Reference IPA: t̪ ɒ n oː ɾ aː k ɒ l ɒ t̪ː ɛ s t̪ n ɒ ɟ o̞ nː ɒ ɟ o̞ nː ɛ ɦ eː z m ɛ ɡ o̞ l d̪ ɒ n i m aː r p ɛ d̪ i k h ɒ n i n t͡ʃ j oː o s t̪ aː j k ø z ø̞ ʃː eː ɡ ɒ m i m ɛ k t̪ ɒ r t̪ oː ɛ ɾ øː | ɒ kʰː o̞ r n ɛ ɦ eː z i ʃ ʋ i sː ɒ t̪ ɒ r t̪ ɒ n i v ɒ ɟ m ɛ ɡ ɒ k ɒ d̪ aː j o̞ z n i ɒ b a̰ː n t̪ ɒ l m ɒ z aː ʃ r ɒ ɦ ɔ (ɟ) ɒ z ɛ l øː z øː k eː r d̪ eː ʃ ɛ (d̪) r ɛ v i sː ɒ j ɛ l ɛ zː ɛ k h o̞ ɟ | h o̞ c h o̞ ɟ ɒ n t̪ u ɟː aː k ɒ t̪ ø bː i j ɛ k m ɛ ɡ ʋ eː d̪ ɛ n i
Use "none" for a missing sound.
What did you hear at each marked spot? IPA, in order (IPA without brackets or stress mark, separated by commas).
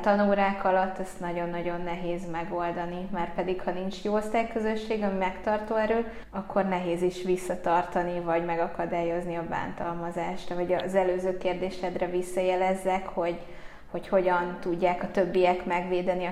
ɟ, d̪